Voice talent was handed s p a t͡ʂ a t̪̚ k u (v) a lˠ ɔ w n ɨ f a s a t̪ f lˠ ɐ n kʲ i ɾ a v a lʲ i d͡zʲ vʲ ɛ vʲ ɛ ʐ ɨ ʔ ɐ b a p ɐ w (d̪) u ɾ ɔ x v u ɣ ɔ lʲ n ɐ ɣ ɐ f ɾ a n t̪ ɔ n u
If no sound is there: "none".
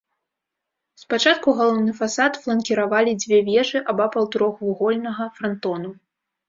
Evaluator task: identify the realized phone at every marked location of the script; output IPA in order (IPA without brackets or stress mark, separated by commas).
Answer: ɣ, t̪